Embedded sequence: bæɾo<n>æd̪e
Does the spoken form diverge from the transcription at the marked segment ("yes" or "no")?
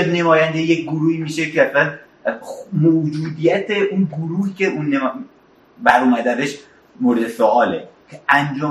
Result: yes